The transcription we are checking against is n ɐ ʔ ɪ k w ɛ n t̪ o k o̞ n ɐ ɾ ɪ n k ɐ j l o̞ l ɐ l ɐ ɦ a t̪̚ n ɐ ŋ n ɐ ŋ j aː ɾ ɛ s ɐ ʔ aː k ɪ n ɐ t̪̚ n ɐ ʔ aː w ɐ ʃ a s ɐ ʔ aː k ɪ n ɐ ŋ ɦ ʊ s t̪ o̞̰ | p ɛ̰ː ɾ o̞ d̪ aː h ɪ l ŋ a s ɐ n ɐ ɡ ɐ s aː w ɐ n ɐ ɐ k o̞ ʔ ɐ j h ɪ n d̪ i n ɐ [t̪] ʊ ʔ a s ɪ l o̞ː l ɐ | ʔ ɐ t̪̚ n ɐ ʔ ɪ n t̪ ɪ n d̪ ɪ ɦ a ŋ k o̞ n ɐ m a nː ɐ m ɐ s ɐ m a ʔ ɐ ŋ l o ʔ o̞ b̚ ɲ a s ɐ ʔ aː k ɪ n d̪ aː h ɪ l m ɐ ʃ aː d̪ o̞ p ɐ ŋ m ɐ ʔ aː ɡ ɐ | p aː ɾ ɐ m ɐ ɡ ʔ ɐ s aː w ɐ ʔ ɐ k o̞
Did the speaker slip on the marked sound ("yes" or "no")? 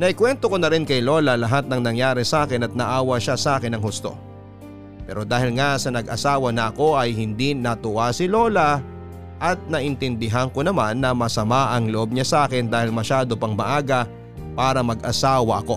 no